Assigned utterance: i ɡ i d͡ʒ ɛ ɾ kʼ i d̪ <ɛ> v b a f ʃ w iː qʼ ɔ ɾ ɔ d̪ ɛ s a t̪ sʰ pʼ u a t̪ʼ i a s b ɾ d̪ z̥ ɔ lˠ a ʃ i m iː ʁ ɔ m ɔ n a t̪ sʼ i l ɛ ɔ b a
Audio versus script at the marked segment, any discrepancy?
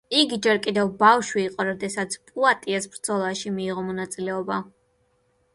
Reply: no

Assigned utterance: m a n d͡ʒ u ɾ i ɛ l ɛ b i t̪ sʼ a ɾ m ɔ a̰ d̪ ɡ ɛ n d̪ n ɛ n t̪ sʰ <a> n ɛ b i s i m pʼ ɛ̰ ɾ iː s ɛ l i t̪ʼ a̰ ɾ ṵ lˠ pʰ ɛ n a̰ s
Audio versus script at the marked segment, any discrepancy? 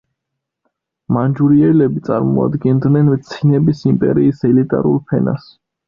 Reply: yes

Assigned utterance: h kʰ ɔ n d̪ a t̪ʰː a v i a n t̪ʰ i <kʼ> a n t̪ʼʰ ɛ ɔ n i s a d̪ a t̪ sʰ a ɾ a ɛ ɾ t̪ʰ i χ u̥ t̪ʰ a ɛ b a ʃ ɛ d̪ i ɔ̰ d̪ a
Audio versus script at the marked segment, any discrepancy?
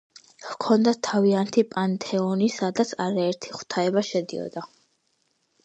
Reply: yes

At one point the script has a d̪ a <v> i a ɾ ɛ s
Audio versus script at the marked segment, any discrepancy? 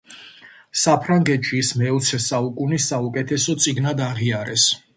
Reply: yes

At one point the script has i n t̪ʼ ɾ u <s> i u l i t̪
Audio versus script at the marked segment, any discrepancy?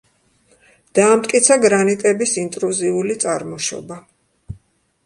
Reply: yes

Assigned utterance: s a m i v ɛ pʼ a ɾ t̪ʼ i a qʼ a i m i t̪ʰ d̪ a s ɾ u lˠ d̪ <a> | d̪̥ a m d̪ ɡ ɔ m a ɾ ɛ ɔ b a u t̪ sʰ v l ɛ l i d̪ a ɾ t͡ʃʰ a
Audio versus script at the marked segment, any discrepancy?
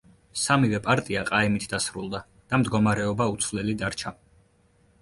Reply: no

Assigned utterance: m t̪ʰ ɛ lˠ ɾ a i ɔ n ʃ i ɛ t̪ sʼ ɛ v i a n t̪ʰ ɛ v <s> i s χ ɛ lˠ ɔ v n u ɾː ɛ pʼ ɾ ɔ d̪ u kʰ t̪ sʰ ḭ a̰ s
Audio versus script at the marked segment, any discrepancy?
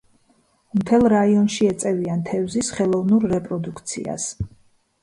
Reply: yes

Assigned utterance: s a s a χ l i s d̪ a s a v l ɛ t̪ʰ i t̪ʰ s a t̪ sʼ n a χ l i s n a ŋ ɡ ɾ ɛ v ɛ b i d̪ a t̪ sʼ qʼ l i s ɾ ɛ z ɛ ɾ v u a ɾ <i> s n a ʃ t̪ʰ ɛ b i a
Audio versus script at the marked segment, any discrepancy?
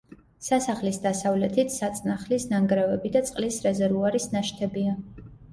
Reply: no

